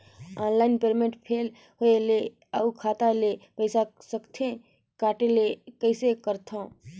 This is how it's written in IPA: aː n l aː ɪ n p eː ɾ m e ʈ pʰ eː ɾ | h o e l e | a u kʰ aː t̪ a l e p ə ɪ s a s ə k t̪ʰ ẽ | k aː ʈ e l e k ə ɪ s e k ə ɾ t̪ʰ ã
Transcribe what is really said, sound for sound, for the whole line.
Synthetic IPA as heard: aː n l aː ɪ n p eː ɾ m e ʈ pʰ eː l | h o e l e | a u kʰ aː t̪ a l e p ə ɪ s a s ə k t̪ʰ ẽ | k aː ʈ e l e k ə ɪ s e k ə ɾ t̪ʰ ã